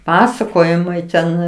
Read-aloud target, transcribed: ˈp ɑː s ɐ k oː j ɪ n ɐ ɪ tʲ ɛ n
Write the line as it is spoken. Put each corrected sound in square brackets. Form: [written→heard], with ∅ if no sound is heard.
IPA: ˈp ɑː s ɐ k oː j ɪ [n→m] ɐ ɪ tʲ ɛ n